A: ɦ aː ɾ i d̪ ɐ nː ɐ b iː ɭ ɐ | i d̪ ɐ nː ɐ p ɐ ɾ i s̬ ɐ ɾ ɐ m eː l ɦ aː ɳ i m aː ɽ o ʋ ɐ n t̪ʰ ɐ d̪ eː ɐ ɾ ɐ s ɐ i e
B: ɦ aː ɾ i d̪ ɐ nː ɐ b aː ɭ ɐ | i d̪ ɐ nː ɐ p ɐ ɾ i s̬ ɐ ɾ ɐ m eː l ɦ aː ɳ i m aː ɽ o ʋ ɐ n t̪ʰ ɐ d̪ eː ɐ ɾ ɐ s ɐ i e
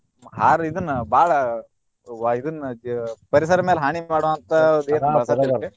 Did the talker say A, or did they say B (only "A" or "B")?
B